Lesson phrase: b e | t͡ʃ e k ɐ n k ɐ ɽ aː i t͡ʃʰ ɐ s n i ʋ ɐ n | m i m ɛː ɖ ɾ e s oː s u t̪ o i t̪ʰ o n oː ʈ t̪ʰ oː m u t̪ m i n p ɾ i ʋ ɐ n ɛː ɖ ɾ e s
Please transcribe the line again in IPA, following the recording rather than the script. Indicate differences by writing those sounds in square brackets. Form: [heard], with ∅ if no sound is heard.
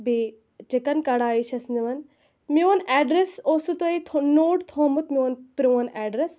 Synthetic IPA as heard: b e | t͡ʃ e k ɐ n k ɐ ɽ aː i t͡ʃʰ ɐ s n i ʋ ɐ n | m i [n] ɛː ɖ ɾ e s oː s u t̪ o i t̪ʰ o n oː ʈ t̪ʰ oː m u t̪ m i n p ɾ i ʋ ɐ n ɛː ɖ ɾ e s